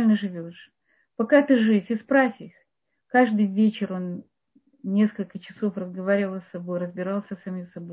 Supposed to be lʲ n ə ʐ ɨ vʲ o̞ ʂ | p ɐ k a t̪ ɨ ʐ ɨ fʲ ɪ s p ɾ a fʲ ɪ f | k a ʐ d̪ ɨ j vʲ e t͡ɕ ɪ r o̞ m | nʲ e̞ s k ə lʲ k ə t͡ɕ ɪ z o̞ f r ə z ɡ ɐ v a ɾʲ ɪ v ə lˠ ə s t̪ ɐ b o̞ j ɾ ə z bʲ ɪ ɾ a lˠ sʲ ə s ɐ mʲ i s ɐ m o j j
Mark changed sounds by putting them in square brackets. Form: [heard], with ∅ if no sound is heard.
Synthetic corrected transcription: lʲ n ə ʐ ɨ vʲ o̞ ʂ | p ɐ k a t̪ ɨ ʐ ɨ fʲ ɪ s p ɾ a fʲ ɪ [x] | k a ʐ d̪ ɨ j vʲ e t͡ɕ ɪ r o̞ [n] | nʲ e̞ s k ə lʲ k ə t͡ɕ ɪ [s] o̞ f r ə z ɡ ɐ v a ɾʲ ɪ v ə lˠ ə s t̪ ɐ b o̞ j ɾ ə z bʲ ɪ ɾ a lˠ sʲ ə s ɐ mʲ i s ɐ [b] o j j